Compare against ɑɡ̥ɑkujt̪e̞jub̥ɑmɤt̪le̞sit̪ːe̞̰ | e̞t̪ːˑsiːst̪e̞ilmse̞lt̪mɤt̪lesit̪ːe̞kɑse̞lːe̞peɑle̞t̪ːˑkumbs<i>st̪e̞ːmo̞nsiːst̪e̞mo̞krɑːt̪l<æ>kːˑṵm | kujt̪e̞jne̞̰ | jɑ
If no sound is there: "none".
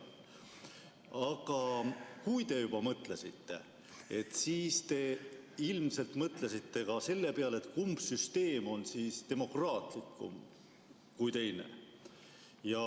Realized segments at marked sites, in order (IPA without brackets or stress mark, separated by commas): y, i